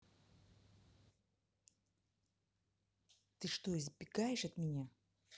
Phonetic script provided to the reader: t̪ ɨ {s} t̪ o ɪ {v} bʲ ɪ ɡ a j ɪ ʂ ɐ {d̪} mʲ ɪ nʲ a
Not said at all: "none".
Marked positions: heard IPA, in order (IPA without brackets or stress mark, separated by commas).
ʂ, z, t̪